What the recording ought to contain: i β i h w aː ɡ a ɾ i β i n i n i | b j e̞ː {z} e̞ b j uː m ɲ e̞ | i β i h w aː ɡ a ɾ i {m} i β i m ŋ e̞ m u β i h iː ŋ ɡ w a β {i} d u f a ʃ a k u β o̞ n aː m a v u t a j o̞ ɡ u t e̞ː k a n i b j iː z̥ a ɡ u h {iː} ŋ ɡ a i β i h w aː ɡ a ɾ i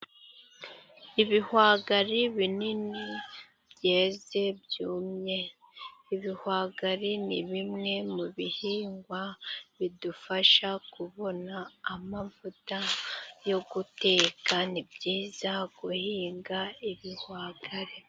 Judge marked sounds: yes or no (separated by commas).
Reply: yes, no, yes, yes